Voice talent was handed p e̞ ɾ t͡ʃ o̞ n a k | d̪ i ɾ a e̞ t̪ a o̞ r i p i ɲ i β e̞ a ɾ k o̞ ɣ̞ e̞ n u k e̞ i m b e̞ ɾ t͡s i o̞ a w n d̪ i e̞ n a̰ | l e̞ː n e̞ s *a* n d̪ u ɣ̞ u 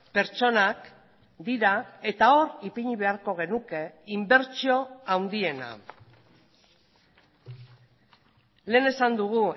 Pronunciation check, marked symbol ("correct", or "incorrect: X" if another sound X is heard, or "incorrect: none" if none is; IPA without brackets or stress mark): correct